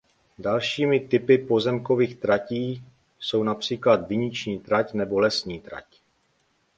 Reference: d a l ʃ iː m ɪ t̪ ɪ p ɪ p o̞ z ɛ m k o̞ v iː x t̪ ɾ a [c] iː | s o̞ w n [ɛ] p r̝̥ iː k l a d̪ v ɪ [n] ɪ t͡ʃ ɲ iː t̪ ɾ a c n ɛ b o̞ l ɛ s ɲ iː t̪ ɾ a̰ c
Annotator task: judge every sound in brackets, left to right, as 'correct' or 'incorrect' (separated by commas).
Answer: correct, incorrect, incorrect